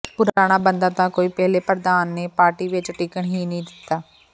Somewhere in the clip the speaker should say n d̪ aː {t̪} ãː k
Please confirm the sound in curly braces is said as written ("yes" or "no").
yes